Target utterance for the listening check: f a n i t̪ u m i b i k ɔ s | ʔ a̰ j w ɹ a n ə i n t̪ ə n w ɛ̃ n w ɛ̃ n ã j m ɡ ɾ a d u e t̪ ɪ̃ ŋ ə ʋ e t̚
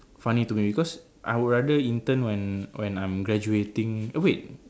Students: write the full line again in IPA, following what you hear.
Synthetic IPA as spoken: f a n i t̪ u m i b i k ɔ s | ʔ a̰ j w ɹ a d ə i n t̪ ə n w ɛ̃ n w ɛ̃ n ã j m ɡ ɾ a d͡ʒ u e t̪ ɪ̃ ŋ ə w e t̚